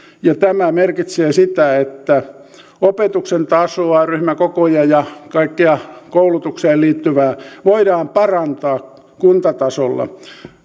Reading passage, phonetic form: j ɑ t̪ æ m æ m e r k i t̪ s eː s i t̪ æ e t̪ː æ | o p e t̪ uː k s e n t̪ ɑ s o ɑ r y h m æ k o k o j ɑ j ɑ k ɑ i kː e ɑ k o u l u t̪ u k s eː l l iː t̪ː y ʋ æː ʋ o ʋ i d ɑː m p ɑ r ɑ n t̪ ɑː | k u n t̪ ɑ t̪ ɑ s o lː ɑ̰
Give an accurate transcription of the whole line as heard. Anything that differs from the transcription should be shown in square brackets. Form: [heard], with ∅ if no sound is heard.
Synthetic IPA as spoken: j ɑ t̪ æ m æ m e r k i t̪ s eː s i t̪ æ e t̪ː æ | o p e t̪ [u] k s e n t̪ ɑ s o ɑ r y h m æ k o k o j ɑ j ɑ k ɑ i kː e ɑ k o u l u t̪ u k s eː l l iː t̪ː y ʋ æː ʋ o [∅] i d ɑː m p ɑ r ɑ n t̪ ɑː | k u n t̪ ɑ t̪ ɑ s o lː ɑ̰